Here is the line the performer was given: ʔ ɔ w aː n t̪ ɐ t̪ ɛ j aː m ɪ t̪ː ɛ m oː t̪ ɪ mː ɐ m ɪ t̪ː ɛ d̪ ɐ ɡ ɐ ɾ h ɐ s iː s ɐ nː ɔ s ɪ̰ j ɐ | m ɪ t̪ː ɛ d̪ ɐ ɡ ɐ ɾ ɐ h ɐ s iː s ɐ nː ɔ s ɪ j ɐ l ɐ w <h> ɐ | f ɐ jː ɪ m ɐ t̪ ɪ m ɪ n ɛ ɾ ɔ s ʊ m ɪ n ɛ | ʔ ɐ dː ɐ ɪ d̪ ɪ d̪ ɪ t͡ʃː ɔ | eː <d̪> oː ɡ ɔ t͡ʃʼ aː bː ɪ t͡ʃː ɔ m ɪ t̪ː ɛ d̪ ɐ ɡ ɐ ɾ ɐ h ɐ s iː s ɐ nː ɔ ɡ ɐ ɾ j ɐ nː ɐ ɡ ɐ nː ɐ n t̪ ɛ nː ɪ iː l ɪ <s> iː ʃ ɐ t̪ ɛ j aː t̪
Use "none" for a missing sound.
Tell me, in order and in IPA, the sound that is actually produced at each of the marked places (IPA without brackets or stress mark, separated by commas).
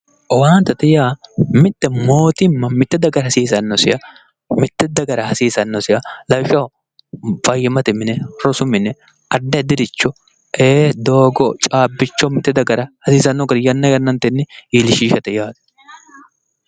ʃ, d̪, ʃ